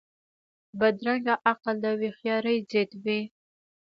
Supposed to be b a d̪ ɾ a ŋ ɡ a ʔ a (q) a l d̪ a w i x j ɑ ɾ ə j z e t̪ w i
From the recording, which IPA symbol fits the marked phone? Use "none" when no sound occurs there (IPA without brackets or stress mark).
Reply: q